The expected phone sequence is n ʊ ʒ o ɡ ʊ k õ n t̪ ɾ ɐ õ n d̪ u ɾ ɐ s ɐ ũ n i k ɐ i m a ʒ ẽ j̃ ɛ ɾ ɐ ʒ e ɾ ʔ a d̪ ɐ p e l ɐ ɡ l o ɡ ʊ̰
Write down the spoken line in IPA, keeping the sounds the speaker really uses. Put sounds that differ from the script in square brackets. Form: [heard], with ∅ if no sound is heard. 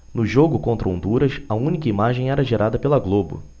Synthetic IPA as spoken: n ʊ ʒ o ɡ ʊ k õ n t̪ ɾ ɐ õ n d̪ u ɾ ɐ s ɐ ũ n i k ɐ i m a ʒ ẽ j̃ ɛ ɾ ɐ ʒ e ɾ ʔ a d̪ ɐ p e l ɐ ɡ l o [b] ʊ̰